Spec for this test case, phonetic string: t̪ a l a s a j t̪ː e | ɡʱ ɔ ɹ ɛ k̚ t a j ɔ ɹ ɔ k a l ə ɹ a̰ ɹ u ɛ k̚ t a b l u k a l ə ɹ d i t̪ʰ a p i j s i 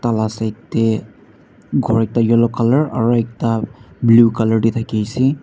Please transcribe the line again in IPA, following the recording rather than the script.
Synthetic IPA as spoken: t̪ a l a s a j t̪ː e | ɡʱ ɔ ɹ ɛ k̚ t a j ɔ l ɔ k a l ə ɹ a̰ ɹ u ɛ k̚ t a b l u k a l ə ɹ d i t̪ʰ a k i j s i